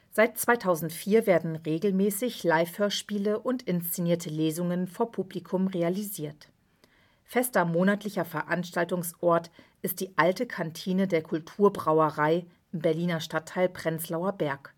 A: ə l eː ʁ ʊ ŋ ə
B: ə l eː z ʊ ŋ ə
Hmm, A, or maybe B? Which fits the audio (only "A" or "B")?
B